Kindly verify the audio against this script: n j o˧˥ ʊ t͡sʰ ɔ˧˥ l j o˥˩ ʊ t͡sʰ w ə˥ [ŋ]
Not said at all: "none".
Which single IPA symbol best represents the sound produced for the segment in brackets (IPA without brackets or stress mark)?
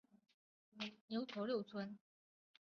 n